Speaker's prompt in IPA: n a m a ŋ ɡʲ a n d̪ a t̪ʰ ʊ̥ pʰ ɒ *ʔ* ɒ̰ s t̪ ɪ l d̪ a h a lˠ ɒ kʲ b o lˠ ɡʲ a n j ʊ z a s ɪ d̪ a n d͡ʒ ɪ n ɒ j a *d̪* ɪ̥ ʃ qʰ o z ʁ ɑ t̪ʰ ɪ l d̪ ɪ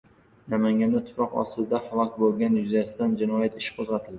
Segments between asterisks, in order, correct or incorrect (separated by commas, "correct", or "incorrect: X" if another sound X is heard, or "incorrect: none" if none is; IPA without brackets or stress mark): incorrect: q, incorrect: t̪